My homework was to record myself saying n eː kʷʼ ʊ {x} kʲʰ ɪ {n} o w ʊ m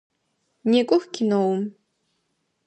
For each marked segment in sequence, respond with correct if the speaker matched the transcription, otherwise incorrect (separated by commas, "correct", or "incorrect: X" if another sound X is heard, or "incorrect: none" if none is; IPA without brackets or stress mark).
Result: correct, correct